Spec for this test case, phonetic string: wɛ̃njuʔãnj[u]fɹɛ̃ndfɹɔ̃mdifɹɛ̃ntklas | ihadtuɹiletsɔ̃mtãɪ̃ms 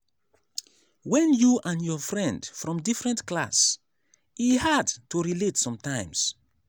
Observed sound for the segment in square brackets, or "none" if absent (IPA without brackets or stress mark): ɔ